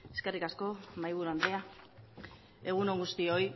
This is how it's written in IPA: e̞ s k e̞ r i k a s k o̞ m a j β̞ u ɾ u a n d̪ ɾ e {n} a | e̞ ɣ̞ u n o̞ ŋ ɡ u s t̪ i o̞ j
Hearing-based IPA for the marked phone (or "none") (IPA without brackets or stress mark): none